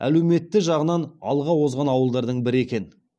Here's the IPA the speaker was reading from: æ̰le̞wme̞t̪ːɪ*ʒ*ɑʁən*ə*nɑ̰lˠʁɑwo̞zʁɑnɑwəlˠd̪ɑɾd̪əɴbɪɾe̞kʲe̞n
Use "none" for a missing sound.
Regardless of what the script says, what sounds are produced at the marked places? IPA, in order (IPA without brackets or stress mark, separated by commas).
ʒ, ɑ